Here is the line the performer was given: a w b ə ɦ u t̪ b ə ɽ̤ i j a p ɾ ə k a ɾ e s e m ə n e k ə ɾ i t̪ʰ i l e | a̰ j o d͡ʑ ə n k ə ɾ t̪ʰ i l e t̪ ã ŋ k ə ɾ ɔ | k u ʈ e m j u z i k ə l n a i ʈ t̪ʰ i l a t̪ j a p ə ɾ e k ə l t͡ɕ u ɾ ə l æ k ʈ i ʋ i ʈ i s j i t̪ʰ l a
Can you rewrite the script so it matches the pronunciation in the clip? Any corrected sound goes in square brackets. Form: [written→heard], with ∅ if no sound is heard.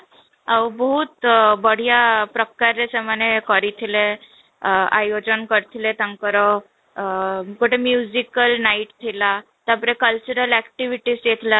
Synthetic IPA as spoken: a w b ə ɦ u t̪ b ə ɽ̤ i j a p ɾ ə k a ɾ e s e m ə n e k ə ɾ i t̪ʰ i l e | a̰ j o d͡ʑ ə n k ə ɾ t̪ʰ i l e t̪ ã ŋ k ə ɾ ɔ | k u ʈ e m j u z i k ə l n a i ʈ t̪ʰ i l a t̪ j a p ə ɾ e k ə l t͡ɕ u ɾ ə l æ k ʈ i ʋ i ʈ i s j [i→e] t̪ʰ l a